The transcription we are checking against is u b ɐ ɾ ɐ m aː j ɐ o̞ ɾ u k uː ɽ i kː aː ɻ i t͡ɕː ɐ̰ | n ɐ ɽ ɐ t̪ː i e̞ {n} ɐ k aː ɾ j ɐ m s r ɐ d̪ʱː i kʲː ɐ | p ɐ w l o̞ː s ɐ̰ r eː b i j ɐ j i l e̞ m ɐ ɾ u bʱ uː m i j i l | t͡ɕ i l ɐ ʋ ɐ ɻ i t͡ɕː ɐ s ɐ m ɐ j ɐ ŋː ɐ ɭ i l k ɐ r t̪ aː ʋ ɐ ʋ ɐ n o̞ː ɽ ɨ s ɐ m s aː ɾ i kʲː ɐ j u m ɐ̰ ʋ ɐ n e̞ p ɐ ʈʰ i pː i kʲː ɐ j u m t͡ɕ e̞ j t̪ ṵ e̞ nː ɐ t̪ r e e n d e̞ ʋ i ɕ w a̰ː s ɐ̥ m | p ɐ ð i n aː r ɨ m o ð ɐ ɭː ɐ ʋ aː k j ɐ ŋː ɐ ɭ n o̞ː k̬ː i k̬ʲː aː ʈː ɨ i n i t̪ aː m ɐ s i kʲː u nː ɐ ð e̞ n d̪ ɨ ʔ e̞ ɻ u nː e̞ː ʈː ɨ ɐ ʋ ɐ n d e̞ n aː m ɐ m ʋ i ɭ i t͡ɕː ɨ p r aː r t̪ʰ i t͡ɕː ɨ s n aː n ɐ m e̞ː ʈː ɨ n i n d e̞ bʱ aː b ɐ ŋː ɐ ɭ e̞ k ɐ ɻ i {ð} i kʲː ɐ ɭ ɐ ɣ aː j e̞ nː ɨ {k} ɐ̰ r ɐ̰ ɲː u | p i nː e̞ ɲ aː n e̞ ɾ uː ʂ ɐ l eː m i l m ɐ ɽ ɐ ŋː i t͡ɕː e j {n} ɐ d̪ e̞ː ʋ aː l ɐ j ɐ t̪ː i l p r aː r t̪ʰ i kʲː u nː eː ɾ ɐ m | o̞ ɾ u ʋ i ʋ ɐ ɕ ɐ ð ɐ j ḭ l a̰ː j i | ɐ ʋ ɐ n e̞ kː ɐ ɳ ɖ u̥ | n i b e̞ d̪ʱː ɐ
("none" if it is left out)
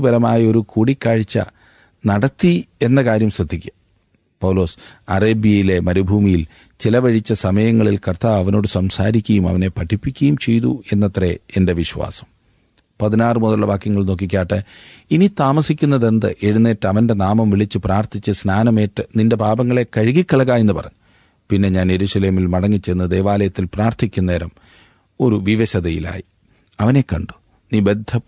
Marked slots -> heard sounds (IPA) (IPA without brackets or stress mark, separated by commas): nː, ɣ, p, nː